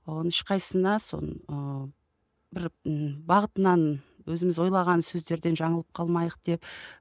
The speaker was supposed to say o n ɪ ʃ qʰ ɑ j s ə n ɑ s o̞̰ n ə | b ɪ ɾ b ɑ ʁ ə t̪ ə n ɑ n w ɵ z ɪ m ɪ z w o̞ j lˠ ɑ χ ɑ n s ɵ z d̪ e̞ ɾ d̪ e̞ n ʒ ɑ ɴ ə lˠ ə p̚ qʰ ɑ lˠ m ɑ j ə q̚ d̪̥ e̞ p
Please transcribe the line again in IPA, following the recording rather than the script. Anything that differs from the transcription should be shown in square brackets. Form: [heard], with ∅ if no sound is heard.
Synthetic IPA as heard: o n ɪ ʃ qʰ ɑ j s ə n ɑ s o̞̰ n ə | b ɪ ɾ b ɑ ʁ ə t̪ ə n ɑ n w ɵ z ɪ m ɪ z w o̞ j lˠ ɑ [ʁ] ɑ n s ɵ z d̪ e̞ ɾ d̪ e̞ n ʒ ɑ ɴ ə lˠ ə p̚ qʰ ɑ lˠ m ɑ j ə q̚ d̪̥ e̞ p